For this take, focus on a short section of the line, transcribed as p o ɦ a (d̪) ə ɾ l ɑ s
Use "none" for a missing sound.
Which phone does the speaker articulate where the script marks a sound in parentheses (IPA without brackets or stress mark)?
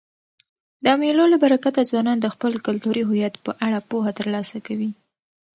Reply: t̪